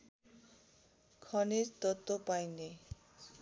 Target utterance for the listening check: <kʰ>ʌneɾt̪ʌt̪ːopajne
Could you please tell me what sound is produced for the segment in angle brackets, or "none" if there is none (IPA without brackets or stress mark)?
kʰ